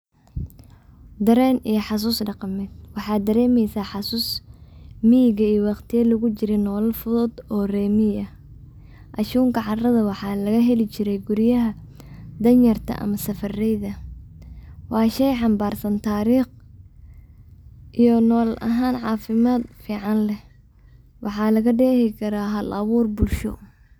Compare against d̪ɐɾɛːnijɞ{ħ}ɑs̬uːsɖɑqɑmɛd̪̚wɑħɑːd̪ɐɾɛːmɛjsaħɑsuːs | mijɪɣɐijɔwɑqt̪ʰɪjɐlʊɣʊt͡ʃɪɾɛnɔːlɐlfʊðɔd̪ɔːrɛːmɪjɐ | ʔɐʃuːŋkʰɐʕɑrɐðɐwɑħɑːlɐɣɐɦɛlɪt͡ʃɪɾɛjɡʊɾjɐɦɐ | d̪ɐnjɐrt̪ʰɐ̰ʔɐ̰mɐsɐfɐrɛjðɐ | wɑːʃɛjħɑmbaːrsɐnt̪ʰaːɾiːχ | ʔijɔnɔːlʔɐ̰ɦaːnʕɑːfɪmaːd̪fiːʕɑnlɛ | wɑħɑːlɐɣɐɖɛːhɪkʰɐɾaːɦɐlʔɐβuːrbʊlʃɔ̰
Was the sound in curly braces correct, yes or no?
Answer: yes